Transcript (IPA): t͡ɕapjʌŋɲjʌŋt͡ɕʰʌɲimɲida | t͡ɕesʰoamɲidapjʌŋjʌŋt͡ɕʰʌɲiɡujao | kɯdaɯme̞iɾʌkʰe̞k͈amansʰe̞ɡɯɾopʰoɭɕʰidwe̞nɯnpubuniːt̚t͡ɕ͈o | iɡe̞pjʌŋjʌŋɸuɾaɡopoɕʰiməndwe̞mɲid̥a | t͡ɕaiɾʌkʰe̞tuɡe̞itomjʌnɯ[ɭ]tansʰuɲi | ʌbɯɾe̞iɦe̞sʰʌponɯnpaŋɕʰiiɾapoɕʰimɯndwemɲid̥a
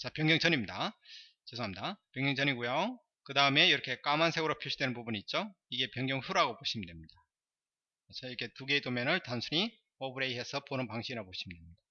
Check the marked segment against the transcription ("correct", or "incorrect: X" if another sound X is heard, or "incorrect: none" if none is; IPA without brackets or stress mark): correct